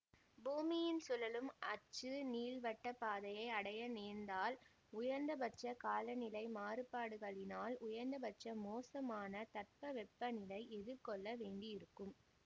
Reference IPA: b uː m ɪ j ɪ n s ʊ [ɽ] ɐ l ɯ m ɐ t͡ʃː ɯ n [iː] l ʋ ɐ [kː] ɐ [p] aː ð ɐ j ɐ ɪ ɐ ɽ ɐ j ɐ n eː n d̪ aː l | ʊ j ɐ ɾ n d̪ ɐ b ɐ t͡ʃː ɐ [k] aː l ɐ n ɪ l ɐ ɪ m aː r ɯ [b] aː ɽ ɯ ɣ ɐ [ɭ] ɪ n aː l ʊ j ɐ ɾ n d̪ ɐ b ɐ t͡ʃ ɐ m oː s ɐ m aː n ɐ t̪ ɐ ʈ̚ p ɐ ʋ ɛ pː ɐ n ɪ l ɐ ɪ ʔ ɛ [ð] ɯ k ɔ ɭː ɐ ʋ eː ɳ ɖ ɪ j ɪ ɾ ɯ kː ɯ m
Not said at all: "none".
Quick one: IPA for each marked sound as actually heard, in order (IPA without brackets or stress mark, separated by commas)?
l, iː, ʈː, p, k, p, ɭ, ð